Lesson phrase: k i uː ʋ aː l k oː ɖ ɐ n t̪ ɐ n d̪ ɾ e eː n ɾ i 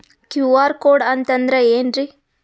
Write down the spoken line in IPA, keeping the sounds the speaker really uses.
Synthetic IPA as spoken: k j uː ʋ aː ɾ k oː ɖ ɐ n t̪ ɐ n d̪ ɾ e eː n ɾ i